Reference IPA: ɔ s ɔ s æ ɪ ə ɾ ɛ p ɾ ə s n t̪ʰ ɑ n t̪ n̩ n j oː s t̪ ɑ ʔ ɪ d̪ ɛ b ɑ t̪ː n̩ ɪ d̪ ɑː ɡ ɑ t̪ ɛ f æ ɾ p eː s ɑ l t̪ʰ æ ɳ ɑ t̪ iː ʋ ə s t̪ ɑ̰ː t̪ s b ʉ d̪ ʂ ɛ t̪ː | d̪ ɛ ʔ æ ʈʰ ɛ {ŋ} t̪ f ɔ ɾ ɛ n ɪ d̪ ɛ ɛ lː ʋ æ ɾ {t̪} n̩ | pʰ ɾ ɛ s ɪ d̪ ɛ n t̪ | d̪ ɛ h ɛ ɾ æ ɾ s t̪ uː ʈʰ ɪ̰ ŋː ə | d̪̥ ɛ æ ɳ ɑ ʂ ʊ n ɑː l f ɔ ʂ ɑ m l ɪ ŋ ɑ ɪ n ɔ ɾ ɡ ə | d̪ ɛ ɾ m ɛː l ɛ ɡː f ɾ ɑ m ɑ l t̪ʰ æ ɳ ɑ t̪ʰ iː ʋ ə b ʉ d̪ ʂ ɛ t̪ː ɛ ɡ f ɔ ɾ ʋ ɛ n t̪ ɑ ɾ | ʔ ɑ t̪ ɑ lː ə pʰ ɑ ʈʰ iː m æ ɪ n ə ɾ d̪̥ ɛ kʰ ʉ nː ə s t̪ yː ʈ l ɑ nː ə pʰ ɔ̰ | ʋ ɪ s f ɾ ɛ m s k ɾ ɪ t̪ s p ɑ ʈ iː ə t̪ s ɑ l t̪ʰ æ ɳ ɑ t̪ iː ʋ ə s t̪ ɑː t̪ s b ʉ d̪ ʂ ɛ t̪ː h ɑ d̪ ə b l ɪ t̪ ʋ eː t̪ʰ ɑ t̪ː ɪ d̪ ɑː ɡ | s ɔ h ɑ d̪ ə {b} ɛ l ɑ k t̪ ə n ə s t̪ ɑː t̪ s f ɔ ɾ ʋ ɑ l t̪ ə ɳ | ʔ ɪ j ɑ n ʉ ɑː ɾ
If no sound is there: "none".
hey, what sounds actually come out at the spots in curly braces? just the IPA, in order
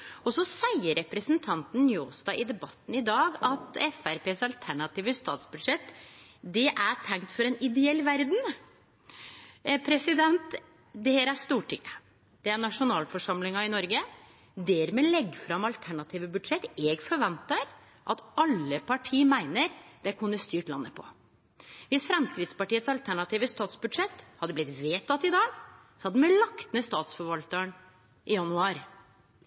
ŋ, d̪, m

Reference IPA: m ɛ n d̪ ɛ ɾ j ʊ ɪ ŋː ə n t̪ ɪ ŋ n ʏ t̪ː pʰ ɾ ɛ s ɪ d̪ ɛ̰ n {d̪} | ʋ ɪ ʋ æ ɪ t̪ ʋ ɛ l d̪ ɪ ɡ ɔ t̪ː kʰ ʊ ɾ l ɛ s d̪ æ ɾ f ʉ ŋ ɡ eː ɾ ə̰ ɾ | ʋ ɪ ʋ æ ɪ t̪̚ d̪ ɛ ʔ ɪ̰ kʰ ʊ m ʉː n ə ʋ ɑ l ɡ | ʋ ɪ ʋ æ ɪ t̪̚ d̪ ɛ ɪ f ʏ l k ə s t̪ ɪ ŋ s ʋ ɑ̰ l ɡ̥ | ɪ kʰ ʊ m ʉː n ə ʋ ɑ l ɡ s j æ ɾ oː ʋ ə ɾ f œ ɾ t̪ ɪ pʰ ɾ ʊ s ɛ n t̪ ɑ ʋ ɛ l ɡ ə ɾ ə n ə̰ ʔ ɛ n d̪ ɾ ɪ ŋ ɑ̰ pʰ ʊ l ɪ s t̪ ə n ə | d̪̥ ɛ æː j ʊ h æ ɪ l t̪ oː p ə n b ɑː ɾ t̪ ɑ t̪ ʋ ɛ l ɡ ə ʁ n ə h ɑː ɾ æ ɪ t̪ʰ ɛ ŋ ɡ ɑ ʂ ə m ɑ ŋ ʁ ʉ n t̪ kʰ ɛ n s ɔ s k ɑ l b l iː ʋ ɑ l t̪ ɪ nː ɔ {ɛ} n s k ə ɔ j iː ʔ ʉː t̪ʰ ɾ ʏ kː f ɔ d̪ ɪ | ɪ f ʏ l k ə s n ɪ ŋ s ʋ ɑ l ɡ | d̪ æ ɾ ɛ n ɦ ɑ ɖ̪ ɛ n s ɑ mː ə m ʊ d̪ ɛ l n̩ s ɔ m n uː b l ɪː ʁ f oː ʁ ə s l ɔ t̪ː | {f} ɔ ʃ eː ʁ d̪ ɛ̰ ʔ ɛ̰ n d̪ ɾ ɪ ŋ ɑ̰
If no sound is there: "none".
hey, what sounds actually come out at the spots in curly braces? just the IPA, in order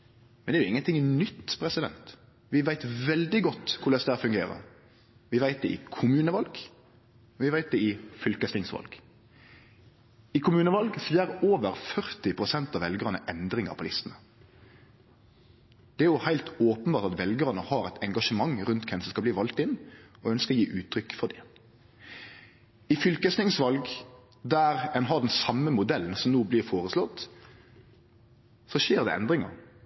t̪, œ, s

